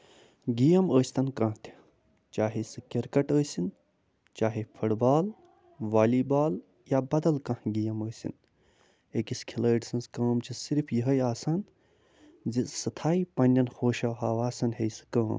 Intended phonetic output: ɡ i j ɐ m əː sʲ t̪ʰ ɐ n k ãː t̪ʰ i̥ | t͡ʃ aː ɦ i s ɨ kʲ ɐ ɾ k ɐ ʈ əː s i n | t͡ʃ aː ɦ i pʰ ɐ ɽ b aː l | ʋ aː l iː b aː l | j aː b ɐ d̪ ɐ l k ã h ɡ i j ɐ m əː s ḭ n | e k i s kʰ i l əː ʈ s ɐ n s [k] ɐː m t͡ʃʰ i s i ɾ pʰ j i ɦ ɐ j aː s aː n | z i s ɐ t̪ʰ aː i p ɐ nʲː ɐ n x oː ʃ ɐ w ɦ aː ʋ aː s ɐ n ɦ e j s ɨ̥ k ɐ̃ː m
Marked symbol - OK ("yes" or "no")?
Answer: yes